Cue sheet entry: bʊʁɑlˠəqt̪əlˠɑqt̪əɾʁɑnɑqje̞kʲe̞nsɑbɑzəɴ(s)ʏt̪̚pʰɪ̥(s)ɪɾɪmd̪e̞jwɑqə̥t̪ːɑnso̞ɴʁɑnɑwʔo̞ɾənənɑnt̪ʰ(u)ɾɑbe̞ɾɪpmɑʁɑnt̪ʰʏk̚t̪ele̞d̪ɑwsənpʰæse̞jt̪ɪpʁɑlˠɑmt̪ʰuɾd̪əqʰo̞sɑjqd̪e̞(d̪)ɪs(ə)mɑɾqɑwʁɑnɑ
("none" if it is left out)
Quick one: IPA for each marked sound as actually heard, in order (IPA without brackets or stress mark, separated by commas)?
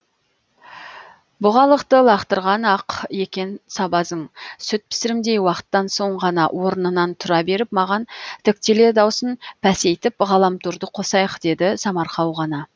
s, s, ʊ, d̪, ɑ